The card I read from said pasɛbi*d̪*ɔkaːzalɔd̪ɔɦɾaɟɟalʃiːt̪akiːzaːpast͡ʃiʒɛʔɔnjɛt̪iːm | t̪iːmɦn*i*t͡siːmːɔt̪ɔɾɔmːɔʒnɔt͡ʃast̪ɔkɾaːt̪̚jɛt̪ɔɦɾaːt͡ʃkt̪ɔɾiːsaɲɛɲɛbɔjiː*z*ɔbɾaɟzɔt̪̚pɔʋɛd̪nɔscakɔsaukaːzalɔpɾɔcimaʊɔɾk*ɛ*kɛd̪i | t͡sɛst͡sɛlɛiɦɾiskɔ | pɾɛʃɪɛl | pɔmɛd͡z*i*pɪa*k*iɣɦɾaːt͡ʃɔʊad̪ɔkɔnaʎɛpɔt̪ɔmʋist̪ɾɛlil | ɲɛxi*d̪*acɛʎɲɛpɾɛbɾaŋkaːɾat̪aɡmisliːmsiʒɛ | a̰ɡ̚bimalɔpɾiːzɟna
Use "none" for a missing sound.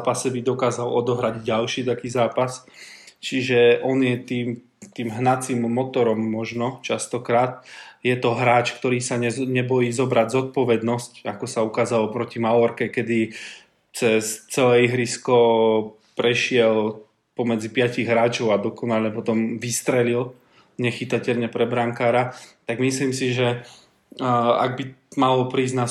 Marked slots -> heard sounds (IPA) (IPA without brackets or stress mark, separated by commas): d̪, a, z, ɛ, i, c, t̪